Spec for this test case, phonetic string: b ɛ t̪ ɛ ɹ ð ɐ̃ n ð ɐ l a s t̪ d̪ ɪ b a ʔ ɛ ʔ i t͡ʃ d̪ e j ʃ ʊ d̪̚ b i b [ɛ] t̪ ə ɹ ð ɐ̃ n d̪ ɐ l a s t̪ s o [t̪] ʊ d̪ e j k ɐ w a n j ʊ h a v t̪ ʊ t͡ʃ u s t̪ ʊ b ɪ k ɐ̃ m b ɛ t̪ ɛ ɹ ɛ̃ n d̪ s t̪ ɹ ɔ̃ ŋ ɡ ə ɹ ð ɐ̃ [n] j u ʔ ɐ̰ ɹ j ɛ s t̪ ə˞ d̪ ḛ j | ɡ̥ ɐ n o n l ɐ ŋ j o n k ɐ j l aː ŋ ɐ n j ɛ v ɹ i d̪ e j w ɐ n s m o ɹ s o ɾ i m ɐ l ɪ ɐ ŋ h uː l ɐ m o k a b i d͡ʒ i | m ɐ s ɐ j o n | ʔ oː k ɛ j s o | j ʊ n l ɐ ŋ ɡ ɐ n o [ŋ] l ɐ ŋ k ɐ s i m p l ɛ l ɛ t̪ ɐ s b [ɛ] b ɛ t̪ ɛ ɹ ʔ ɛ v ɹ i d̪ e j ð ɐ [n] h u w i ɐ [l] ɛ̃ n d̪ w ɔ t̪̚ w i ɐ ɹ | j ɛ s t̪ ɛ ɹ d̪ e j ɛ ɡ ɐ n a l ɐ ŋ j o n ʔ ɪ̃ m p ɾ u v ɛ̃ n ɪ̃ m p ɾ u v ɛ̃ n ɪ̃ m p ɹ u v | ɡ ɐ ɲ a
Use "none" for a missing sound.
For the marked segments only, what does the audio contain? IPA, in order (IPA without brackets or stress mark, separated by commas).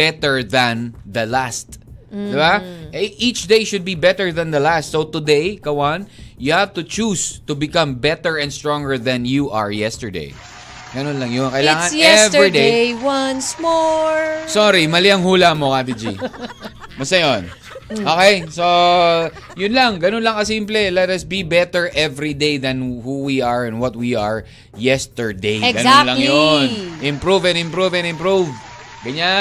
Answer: ɛ, t̪, n, n, i, n, ɹ